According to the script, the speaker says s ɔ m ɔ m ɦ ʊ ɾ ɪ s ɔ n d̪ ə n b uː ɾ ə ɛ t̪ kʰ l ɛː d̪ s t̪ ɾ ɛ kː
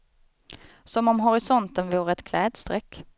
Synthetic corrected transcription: s ɔ m ɔ m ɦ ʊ ɾ ɪ s ɔ n t̪ ə n v uː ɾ ə ɛ t̪ kʰ l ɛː d̪ s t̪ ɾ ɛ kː